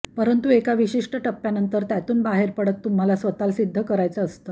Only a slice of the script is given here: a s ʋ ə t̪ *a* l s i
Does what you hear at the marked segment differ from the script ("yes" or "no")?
no